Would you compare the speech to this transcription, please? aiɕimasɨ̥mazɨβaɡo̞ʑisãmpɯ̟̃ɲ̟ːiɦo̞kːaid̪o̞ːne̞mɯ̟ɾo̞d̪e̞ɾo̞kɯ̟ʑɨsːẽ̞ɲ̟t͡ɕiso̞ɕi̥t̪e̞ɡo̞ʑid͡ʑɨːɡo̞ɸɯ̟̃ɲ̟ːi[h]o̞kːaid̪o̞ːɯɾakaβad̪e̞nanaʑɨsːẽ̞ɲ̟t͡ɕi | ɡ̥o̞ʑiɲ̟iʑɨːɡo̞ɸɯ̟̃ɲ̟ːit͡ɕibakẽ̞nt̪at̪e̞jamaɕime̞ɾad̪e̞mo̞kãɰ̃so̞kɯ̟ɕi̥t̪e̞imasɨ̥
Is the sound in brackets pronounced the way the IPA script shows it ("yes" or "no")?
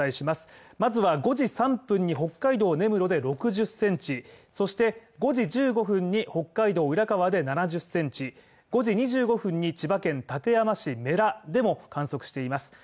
yes